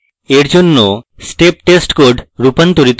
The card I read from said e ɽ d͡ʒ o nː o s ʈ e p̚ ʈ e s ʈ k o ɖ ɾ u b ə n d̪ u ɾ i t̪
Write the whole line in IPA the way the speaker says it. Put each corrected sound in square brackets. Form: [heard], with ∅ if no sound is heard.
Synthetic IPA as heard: e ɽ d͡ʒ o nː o s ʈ e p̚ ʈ e s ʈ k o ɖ ɾ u [p] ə n [t̪] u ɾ i t̪